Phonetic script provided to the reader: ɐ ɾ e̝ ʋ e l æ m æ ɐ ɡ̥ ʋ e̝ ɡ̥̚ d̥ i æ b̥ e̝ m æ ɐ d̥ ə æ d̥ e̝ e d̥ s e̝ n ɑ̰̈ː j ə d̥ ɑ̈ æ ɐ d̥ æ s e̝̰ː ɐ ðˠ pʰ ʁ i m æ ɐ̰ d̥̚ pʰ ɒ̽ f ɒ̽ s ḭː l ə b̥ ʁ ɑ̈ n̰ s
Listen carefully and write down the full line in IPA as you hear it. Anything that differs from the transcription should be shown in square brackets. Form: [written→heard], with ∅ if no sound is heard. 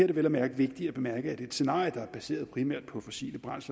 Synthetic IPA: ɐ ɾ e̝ ʋ e l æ m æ ɐ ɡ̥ ʋ e̝ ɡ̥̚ d̥ i æ b̥ e̝ m æ ɐ [d̥→ɡ̥] ə æ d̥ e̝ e d̥ s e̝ n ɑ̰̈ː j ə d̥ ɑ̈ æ ɐ [d̥→b̥] æ s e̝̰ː ɐ ðˠ pʰ ʁ i m æ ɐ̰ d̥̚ pʰ ɒ̽ f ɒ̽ s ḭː l ə b̥ ʁ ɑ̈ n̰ s